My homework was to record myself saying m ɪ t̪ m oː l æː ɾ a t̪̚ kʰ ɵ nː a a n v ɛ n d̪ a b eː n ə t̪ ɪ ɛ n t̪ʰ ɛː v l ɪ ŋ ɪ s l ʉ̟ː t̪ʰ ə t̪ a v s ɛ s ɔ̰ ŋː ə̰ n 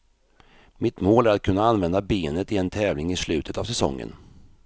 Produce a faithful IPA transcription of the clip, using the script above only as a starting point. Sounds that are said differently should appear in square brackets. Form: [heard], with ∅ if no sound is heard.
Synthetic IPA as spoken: m ɪ t̪ m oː l [æ] ɾ a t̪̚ kʰ ɵ nː a a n v ɛ n d̪ a b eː n ə t̪ ɪ ɛ n t̪ʰ ɛː v l ɪ ŋ ɪ s l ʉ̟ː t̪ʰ ə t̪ a v s ɛ s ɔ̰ ŋː ə̰ n